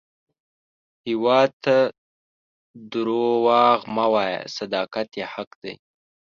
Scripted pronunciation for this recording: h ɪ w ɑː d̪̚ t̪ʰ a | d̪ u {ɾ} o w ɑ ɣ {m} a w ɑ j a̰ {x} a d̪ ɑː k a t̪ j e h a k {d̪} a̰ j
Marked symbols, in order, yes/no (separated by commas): yes, yes, no, yes